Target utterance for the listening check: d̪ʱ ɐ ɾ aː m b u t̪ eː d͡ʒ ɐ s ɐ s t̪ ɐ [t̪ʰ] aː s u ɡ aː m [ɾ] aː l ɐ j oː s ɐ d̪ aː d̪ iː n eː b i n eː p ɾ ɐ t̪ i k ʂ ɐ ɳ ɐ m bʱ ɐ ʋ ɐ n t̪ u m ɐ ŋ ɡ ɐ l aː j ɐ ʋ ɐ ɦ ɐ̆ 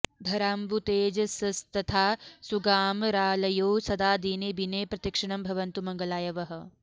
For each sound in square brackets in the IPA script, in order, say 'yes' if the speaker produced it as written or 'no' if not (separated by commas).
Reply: yes, yes